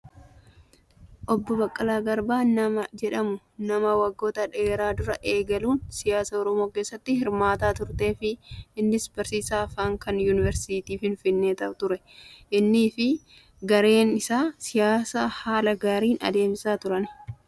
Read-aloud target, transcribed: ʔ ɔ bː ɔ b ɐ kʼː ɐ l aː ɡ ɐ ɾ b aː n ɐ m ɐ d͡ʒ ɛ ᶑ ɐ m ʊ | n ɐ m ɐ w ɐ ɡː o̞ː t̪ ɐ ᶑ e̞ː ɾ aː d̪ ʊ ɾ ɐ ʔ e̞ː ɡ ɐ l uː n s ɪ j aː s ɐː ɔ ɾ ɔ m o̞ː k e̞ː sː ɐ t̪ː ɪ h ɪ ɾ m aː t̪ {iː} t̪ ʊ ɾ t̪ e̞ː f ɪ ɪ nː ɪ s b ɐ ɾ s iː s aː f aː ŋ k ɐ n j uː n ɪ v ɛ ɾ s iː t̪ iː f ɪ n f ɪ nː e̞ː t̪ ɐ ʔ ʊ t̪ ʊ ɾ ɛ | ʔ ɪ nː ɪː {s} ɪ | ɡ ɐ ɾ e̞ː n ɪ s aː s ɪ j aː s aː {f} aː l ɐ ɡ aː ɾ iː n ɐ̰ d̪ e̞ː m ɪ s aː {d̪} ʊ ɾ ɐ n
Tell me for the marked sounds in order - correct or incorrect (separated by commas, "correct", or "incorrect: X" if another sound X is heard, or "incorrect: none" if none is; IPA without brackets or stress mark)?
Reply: incorrect: aː, incorrect: f, incorrect: h, incorrect: t̪